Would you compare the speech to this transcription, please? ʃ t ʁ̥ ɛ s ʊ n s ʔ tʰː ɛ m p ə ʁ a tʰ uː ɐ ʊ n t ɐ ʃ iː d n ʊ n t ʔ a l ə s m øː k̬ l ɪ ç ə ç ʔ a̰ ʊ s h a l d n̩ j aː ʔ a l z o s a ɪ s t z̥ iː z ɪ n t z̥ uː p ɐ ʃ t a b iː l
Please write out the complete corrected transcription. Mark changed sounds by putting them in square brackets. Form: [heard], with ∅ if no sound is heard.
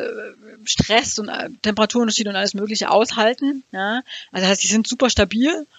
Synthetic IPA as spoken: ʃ t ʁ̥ ɛ s ʊ n [t] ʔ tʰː ɛ m p ə ʁ a tʰ uː ɐ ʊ n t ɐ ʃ iː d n ʊ n t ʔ a l ə s m øː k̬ l ɪ ç ə [∅] ʔ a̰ ʊ s h a l [t] n̩ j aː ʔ a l z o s a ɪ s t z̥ iː z ɪ n t z̥ uː p ɐ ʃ t a b iː l